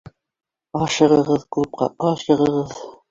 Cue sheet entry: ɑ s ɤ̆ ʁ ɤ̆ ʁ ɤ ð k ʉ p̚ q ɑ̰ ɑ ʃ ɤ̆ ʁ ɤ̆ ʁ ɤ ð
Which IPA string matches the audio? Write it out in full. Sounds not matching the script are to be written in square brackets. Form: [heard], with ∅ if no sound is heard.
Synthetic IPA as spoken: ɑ [ʃ] ɤ̆ ʁ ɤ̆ ʁ ɤ ð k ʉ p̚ q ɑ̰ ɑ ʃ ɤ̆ ʁ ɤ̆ ʁ ɤ ð